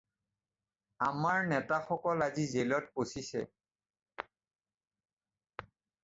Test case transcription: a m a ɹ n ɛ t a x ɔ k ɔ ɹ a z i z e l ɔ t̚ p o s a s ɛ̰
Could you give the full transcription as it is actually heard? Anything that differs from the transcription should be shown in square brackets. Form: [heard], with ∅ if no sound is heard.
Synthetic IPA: a m a ɹ n ɛ t a x ɔ k ɔ [l] a z i z e l ɔ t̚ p o s [i] s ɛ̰